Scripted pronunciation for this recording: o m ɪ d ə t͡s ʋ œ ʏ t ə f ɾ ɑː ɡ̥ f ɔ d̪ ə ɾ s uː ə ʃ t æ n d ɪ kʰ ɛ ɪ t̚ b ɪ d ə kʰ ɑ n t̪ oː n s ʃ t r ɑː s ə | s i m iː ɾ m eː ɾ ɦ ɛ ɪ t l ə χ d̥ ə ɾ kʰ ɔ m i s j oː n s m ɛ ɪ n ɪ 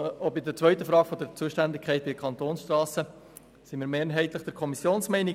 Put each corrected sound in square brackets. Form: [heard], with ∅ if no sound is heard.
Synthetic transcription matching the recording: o [b] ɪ d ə t͡s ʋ œ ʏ t ə f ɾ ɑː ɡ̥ f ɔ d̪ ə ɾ [t͡s] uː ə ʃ t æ n d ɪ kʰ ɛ ɪ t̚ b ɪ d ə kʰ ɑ n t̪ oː n s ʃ t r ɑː s ə | s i m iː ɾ m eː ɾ ɦ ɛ ɪ t l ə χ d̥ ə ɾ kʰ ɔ m i s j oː n s m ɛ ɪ n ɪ